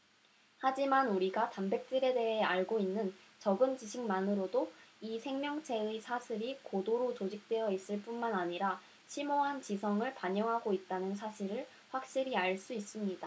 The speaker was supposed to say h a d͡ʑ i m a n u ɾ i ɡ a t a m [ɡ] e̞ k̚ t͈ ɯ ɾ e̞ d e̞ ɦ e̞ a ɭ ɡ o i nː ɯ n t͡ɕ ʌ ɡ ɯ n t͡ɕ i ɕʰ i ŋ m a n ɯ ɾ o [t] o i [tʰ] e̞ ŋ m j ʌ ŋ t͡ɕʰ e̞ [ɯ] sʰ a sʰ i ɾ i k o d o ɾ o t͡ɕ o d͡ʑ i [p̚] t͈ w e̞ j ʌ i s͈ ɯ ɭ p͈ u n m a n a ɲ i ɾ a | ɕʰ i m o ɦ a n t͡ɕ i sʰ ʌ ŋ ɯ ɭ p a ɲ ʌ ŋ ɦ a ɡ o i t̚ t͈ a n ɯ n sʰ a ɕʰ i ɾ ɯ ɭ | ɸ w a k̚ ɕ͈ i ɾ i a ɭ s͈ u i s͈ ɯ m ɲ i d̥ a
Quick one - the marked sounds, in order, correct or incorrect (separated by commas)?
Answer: incorrect, incorrect, incorrect, correct, incorrect